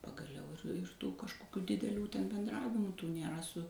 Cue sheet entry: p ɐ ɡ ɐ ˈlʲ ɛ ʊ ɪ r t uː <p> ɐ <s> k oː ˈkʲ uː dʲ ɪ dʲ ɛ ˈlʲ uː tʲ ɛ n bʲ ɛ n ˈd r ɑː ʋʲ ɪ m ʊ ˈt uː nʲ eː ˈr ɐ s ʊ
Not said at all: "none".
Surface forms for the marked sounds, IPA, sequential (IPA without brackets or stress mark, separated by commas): k, ʃ